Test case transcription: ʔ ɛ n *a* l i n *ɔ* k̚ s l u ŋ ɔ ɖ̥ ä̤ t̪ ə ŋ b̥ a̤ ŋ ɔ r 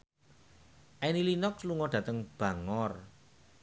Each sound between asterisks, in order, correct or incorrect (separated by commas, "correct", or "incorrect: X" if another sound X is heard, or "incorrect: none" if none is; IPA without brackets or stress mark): incorrect: i, correct